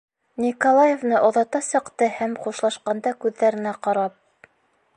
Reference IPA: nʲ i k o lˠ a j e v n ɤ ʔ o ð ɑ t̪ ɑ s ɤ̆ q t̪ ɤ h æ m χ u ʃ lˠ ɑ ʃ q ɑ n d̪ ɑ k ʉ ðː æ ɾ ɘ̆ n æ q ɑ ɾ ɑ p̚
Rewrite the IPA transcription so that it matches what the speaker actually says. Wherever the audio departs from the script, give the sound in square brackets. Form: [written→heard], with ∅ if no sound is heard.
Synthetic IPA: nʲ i k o lˠ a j e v n ɤ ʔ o ð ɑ t̪ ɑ s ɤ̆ q t̪ ɤ h æ m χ u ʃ lˠ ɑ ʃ q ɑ n d̪ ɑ k ʉ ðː æ ɾ ɘ̆ n æ q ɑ ɾ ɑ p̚